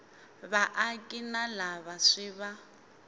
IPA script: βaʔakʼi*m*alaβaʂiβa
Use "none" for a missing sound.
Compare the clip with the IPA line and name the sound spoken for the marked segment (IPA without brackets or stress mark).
n